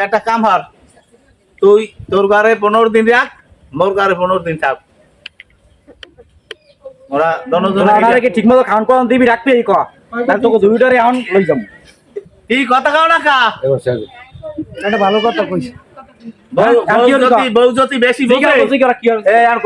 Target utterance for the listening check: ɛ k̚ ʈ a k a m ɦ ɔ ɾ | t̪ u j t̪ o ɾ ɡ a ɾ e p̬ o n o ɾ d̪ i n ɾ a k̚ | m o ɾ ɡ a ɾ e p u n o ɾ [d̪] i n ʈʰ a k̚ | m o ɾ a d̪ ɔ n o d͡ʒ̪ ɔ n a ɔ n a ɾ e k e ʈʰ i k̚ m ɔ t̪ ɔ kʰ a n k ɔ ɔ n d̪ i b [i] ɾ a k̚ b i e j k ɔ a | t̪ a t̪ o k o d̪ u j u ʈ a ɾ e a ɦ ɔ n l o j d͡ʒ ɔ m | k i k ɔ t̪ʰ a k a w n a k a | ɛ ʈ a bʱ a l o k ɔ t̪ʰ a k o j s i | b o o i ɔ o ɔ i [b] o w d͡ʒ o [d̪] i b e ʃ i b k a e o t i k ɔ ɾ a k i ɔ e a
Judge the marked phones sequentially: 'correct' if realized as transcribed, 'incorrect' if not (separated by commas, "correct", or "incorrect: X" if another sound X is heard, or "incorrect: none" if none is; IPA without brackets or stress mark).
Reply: correct, correct, correct, incorrect: t̪